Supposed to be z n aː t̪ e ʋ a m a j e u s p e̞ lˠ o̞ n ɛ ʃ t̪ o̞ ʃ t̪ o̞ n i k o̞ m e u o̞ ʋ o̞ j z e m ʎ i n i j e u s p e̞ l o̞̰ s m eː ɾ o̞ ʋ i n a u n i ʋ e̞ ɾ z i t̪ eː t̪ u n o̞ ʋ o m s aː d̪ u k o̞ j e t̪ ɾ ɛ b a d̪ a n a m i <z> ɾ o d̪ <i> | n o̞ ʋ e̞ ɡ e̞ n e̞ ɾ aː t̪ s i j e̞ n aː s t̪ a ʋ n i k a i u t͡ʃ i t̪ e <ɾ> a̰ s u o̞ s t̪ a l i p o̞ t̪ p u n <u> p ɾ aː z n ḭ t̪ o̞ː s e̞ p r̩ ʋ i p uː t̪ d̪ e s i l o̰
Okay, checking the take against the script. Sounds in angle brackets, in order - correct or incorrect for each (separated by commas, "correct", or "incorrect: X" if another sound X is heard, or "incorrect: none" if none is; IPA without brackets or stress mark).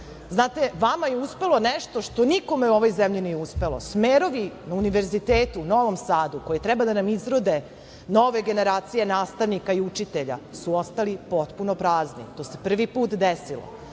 correct, incorrect: e, incorrect: ʎ, incorrect: o